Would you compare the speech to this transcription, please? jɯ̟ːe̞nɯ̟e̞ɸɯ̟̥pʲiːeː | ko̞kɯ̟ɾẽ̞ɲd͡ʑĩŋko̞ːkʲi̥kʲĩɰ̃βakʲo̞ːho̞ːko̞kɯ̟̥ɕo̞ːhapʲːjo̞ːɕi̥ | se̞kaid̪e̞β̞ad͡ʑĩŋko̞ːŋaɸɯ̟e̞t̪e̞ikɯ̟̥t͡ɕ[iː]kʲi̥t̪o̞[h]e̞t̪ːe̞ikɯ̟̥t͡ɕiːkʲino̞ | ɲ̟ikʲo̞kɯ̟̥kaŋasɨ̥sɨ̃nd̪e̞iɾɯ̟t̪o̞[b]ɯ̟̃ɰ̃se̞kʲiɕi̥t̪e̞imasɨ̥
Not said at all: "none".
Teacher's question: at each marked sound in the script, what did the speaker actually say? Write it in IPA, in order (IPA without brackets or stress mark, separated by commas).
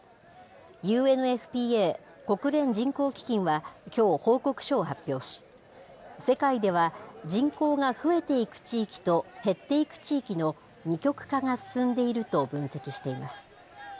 iː, h, b